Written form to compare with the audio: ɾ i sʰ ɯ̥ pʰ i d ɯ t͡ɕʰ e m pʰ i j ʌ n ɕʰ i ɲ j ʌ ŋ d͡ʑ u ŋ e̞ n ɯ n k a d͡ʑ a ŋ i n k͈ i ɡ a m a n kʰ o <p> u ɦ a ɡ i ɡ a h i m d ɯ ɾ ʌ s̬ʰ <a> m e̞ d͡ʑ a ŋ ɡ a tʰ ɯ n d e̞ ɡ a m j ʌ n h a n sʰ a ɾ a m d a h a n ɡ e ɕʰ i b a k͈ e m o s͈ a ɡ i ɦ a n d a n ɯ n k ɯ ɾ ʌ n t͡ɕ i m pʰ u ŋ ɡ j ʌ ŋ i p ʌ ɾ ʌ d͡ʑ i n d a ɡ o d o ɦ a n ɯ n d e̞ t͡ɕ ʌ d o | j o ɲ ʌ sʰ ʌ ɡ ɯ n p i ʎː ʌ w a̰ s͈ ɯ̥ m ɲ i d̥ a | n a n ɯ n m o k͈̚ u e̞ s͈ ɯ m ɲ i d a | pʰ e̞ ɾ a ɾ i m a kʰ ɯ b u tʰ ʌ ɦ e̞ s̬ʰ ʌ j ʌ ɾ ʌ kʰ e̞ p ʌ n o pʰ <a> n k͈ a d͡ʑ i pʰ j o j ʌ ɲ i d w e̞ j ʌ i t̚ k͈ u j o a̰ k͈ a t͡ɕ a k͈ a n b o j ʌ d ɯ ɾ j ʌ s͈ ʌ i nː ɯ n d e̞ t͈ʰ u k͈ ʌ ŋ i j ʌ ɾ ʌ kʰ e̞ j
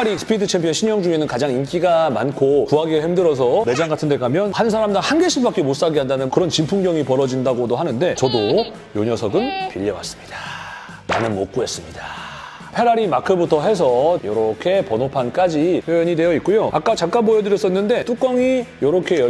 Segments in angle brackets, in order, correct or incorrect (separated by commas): incorrect, incorrect, correct